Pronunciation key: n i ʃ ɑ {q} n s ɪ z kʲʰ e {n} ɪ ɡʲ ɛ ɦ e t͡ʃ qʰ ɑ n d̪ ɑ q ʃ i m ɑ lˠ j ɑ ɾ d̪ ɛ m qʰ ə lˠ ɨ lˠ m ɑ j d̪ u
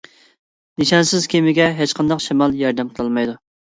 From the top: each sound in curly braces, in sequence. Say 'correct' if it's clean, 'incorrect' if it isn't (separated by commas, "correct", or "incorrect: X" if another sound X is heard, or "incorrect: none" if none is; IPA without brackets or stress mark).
incorrect: none, incorrect: m